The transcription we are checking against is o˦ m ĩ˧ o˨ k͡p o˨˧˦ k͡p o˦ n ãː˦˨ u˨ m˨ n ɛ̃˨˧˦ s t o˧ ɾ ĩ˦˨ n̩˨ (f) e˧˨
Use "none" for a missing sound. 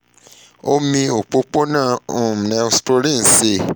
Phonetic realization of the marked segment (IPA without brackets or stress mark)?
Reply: s